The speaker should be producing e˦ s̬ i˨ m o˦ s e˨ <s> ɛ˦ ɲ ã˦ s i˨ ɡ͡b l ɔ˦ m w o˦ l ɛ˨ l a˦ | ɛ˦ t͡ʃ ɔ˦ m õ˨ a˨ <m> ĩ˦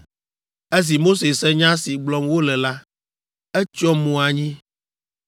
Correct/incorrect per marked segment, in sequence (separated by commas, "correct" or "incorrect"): correct, incorrect